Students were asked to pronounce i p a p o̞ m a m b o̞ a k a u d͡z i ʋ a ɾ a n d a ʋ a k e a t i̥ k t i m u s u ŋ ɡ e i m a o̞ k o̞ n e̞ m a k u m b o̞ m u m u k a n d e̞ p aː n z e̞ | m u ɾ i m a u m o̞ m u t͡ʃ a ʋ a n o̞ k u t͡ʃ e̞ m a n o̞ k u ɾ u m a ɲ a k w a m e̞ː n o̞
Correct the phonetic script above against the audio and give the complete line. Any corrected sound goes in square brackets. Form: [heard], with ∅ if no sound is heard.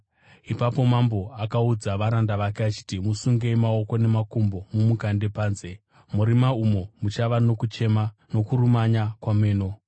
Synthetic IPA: i p a p o̞ m a m b o̞ a k a u d͡z [a] ʋ a ɾ a n d a ʋ a k e a [t͡ʃ] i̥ [∅] t i m u s u ŋ ɡ e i m a o̞ k o̞ n e̞ m a k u m b o̞ m u m u k a n d e̞ p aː n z e̞ | m u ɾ i m a u m o̞ m u t͡ʃ a ʋ a n o̞ k u t͡ʃ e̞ m a n o̞ k u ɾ u m a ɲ a k w a m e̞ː n o̞